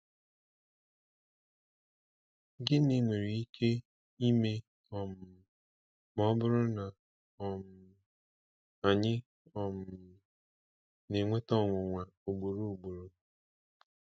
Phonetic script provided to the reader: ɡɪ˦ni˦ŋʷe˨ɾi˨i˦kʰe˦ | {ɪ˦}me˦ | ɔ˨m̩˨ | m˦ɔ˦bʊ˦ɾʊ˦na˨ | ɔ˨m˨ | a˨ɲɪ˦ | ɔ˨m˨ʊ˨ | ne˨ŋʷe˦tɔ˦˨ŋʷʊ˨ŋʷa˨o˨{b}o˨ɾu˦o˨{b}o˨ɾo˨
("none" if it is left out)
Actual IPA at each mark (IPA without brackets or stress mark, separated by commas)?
i˦, ɡ͡b, ɡ͡b